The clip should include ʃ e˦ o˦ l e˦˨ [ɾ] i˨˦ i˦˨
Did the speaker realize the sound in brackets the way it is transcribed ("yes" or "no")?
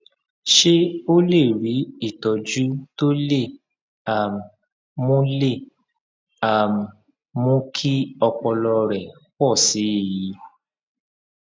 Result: yes